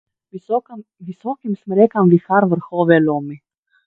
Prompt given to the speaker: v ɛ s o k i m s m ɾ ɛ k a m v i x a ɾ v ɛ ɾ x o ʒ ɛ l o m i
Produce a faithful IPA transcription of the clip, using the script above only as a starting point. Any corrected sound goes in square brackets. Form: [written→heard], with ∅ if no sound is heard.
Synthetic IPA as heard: v [ɛ→i] s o k i m s m ɾ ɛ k a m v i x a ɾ v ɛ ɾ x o [ʒ→v] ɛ l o m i